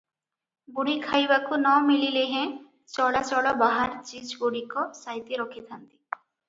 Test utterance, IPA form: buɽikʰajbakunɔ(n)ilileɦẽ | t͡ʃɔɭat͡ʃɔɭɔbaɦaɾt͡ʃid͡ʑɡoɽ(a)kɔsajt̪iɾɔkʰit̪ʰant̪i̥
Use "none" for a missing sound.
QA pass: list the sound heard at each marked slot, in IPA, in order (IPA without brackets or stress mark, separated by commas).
m, i